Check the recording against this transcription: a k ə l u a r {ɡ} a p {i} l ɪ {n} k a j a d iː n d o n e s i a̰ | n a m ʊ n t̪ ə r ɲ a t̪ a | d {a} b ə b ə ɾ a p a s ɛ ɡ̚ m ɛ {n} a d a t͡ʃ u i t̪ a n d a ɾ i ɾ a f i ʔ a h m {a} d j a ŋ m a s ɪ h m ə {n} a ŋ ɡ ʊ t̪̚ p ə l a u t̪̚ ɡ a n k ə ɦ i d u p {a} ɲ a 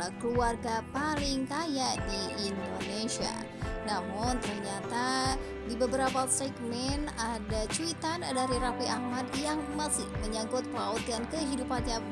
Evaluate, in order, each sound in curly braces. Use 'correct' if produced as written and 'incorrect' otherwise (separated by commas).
correct, incorrect, incorrect, incorrect, correct, correct, incorrect, correct